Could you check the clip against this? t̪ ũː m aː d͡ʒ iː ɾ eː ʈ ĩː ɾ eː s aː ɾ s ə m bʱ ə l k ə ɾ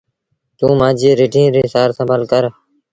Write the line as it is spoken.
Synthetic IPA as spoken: t̪ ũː m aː d͡ʒ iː ɾ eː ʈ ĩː ɾ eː s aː ɾ s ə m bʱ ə l k ə ɾ